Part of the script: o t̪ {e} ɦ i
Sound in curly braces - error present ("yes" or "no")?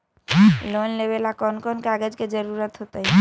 yes